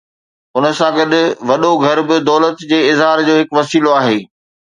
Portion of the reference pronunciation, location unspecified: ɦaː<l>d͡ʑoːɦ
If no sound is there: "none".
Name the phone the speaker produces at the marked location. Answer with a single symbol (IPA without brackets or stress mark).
ɾ